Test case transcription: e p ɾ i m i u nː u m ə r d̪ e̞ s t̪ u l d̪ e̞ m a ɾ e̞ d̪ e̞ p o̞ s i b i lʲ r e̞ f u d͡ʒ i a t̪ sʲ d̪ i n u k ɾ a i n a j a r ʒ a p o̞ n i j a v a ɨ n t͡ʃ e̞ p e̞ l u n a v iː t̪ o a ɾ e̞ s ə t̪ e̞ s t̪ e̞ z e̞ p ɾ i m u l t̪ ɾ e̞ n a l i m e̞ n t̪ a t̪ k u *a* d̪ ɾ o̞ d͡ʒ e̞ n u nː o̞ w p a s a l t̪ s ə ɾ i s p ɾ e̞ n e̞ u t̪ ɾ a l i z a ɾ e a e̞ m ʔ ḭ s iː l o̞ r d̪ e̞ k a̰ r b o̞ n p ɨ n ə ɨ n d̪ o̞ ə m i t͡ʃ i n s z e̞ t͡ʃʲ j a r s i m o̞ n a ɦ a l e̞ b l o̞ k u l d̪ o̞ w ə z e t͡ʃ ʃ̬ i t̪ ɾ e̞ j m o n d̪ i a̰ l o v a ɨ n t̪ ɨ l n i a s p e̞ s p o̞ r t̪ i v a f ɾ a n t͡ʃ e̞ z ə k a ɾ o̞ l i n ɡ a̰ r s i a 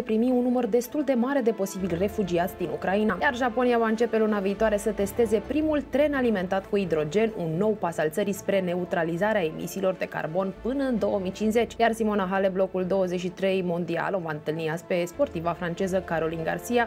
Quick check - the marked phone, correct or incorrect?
incorrect